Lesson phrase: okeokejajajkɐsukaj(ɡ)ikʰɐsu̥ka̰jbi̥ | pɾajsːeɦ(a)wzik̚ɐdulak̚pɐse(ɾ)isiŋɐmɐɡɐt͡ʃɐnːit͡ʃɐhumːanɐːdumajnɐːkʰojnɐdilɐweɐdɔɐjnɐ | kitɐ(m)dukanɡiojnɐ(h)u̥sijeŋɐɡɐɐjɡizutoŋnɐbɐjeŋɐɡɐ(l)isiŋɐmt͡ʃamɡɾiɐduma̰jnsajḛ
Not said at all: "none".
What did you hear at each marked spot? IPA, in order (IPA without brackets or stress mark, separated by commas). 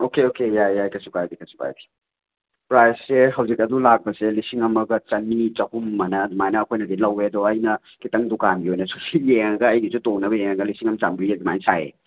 b, ɐ, l, ŋ, s, l